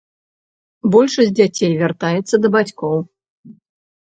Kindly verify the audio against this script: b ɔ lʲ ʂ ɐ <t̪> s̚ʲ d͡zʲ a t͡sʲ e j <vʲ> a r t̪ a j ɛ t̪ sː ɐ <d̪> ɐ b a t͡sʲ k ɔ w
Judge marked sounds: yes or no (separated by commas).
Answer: no, yes, yes